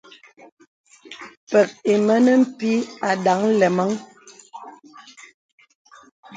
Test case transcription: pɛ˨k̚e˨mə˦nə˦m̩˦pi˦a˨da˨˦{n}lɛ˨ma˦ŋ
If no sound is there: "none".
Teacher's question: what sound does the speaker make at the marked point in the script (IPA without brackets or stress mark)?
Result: ŋ